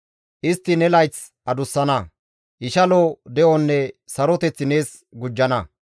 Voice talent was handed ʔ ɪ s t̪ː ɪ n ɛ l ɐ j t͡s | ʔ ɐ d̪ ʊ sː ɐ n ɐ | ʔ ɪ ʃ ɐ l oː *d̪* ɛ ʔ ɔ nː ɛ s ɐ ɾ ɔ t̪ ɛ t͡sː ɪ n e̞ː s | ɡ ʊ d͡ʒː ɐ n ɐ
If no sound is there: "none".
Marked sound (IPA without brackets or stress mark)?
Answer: d̪